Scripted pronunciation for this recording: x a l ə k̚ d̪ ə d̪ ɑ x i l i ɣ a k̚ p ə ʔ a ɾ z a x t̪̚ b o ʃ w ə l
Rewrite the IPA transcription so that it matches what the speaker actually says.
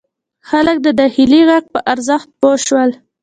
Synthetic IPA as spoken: x a l ə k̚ d̪ ə d̪ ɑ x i l i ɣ a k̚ p ə ʔ a ɾ z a x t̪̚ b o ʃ w ə l